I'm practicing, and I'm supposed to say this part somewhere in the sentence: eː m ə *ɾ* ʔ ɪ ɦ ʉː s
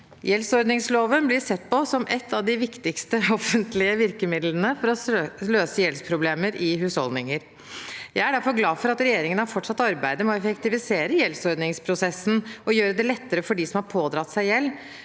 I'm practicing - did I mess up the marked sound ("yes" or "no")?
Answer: no